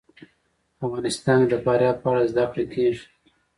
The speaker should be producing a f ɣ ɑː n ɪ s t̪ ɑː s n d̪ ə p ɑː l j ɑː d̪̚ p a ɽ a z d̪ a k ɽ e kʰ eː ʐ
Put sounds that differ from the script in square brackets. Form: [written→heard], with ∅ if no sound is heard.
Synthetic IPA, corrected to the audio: a f ɣ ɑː n ɪ s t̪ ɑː [s→∅] n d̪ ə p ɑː [l→ɾ] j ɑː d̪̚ p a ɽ a z d̪ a k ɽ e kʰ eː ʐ